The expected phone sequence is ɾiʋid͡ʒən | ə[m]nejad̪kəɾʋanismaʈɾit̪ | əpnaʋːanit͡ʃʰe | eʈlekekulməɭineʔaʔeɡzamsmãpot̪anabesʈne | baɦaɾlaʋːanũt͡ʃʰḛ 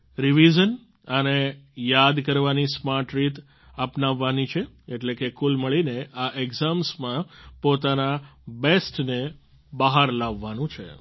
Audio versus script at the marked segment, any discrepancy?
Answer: yes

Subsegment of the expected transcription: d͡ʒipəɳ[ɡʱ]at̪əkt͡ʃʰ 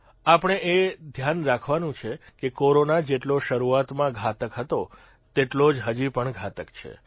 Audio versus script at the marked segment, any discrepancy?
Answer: no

